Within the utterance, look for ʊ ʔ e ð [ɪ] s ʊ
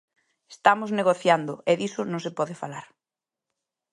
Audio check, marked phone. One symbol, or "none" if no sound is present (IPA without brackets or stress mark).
i